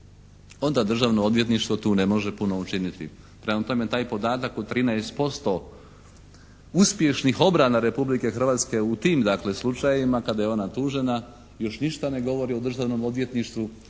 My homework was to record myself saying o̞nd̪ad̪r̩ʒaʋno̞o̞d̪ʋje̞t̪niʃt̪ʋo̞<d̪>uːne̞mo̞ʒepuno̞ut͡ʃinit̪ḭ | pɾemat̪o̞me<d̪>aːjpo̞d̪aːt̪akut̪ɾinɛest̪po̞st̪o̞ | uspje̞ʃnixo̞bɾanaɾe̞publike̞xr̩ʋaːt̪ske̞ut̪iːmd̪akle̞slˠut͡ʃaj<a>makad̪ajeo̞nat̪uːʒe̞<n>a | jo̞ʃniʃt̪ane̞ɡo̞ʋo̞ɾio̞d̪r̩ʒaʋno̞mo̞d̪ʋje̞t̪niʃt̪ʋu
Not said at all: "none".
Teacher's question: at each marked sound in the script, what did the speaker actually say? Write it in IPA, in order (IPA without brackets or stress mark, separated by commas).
t̪, t̪, i, n